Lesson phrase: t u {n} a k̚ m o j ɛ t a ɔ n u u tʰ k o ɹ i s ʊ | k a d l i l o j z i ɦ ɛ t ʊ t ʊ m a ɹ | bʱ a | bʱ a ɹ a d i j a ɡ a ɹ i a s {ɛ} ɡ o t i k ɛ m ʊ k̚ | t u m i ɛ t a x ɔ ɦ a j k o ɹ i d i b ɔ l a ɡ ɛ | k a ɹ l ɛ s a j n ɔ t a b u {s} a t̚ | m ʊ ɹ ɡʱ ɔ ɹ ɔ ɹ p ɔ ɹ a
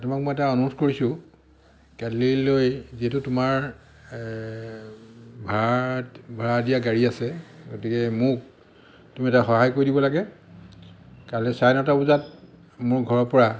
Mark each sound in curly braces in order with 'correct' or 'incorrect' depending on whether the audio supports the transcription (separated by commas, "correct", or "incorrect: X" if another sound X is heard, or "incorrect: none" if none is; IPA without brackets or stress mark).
incorrect: m, correct, incorrect: z